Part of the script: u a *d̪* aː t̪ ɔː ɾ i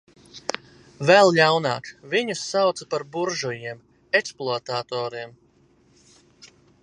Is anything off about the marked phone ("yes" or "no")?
yes